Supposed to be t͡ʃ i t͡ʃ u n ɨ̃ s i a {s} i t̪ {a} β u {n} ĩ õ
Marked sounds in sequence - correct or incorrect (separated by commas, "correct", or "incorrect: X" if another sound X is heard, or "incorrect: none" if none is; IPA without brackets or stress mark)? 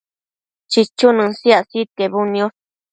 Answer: correct, incorrect: e, correct